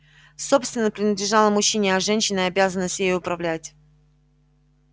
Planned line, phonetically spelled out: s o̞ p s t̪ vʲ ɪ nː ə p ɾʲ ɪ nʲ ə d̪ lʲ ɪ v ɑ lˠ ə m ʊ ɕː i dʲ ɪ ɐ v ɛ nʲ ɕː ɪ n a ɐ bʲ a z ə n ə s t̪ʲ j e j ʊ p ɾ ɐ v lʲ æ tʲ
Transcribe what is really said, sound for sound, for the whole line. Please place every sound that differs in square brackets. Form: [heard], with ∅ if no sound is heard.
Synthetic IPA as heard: s o̞ p s t̪ vʲ ɪ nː ə p ɾʲ ɪ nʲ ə d̪ lʲ ɪ [ʐ] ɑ lˠ ə m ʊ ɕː i [nʲ] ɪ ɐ [ʐ] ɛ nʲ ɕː ɪ n [ə] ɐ bʲ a z ə n ə s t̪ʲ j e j ʊ p ɾ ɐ v lʲ æ tʲ